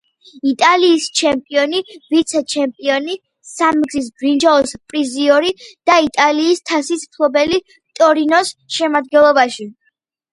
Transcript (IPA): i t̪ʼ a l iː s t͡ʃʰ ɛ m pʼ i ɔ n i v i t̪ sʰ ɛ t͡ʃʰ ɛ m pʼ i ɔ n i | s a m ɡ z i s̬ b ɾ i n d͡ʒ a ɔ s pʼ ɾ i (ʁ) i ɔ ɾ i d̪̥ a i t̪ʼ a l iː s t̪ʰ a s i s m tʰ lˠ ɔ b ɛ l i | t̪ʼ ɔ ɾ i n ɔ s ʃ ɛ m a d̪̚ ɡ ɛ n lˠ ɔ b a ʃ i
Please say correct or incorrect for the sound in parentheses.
incorrect